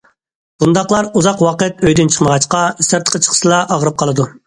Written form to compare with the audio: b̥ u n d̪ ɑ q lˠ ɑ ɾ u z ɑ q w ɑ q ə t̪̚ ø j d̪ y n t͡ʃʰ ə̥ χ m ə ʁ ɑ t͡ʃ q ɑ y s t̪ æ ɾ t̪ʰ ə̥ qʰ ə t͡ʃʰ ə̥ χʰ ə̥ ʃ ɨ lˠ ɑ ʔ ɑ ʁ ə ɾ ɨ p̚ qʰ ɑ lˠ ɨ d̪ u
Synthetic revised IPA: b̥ u n d̪ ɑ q lˠ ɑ ɾ u z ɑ q w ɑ q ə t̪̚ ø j d̪ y n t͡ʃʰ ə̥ χ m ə ʁ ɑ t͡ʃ q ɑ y s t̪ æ ɾ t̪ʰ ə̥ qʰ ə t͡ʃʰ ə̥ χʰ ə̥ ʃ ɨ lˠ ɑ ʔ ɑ ʁ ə ɾ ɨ p̚ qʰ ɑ lˠ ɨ d̪ u